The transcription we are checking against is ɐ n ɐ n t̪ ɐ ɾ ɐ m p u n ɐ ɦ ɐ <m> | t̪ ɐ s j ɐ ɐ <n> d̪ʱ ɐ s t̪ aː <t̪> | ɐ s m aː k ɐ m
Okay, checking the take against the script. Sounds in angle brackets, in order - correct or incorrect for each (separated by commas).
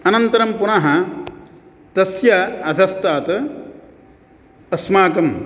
incorrect, incorrect, correct